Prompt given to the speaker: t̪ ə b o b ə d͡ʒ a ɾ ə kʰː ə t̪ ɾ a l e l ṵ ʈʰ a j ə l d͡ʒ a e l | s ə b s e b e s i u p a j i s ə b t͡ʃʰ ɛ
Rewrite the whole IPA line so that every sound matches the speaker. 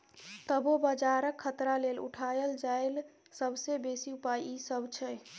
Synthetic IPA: t̪ ə b o b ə d͡ʒ a ɾ ə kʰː ə t̪ ɾ a l e l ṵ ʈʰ a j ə l d͡ʒ a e l | s ə b s e b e s i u p a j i s ə b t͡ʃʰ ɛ